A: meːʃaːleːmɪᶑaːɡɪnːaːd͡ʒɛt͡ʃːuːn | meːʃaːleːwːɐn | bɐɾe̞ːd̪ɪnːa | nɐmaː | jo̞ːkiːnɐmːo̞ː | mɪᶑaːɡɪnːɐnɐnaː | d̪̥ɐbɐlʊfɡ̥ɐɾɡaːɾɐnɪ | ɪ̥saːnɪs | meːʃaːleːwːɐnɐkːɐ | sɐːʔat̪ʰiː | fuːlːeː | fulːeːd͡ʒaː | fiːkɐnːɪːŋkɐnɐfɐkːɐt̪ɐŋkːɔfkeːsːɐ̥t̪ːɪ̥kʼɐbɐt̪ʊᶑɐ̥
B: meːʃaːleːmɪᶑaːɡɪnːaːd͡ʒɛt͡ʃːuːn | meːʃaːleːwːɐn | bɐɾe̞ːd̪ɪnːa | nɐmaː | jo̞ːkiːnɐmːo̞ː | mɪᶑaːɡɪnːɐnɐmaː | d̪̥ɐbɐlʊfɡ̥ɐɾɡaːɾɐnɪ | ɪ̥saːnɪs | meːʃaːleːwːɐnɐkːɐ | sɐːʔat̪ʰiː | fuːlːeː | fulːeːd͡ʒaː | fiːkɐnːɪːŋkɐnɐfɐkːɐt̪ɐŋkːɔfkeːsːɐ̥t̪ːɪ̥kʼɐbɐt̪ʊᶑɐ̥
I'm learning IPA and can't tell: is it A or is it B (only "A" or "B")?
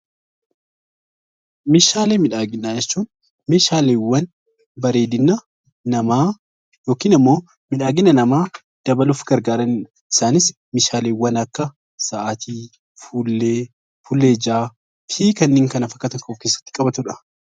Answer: B